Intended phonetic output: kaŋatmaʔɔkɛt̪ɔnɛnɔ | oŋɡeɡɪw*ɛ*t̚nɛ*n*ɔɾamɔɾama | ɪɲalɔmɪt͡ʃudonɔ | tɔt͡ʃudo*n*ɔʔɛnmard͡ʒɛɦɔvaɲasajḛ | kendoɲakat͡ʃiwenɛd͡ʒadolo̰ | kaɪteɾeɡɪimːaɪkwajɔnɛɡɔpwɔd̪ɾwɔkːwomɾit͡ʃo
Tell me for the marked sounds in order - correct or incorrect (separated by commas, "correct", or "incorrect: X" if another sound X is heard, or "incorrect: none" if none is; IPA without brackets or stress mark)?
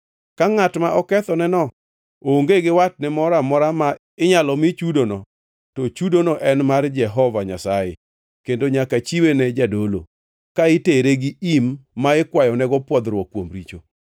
incorrect: a, incorrect: m, correct